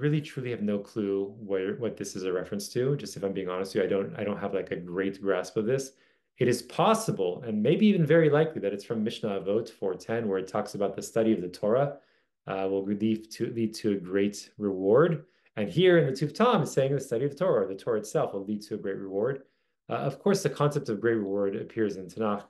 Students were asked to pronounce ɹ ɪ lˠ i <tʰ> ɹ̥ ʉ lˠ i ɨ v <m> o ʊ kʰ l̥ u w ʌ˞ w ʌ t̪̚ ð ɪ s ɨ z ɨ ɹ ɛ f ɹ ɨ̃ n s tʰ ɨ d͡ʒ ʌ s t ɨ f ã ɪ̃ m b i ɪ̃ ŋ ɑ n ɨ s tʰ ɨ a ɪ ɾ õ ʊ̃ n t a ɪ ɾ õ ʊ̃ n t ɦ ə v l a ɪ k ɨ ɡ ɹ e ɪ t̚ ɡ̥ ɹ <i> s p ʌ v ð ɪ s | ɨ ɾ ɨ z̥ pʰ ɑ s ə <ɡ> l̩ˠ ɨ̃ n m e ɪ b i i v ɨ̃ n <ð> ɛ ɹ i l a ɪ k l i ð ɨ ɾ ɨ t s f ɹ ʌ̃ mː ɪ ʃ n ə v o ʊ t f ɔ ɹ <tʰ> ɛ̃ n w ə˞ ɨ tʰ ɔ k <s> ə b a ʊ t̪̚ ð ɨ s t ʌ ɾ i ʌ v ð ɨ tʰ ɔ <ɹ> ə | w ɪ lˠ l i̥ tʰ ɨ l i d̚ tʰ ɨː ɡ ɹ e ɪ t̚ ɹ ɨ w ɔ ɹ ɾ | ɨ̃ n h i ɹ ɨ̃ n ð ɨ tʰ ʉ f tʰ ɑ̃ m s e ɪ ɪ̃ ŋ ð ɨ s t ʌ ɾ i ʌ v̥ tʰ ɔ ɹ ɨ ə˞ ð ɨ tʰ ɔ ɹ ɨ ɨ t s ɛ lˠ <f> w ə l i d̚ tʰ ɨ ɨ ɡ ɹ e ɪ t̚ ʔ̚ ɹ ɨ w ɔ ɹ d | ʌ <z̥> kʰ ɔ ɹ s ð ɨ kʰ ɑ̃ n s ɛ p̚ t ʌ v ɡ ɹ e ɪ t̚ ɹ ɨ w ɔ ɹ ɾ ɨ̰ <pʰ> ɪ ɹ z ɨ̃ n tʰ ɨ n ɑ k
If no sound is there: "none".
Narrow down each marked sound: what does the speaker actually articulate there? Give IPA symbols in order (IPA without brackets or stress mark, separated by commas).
tʰ, n, æ, b, v, tʰ, s, ɹ, f, v̥, pʰ